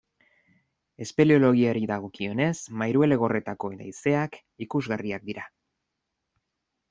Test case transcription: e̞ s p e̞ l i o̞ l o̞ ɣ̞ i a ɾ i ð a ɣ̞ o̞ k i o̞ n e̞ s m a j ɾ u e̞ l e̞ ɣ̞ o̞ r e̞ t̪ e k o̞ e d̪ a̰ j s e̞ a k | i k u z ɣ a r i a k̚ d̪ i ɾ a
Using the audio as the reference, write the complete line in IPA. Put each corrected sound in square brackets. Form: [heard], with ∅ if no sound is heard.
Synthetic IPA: e̞ s p e̞ l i o̞ l o̞ ɣ̞ i a ɾ i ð a ɣ̞ o̞ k i o̞ n e̞ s m a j ɾ u e̞ l e̞ ɣ̞ o̞ r e̞ t̪ [a] k o̞ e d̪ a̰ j s e̞ a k | i k u z ɣ a r i a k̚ d̪ i ɾ a